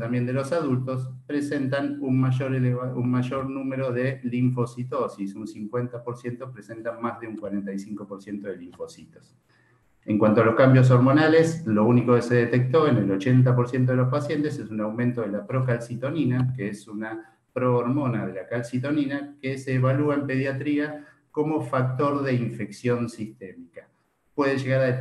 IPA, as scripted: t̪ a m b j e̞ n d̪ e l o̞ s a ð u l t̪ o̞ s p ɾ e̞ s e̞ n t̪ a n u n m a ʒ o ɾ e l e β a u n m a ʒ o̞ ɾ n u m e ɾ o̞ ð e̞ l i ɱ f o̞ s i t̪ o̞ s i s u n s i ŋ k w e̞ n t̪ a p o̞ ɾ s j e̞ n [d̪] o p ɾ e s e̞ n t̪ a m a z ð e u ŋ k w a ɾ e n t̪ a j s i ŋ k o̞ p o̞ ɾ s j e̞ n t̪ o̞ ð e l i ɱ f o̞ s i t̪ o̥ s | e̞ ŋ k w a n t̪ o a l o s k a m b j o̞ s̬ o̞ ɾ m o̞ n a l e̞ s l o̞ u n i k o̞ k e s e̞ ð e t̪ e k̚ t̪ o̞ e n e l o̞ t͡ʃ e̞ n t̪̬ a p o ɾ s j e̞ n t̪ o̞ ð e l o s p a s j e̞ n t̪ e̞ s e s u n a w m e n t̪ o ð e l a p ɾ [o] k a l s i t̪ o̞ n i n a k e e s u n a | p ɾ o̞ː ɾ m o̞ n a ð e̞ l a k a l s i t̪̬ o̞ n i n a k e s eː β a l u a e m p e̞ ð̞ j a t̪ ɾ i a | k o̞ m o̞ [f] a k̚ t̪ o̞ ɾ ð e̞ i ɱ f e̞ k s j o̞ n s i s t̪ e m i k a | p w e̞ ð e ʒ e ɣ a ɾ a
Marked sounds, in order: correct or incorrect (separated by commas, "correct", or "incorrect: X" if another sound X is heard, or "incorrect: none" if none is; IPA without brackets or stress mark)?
incorrect: t̪, correct, correct